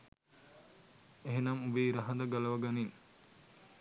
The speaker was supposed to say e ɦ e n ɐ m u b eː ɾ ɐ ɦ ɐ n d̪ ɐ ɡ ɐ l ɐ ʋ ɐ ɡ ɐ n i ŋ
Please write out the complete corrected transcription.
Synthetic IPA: e ɦ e n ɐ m u b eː ɾ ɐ ɦ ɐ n d̪ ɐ ɡ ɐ l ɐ ʋ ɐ ɡ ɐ n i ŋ